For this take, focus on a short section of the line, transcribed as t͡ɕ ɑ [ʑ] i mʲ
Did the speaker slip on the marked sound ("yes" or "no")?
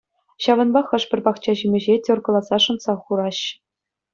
no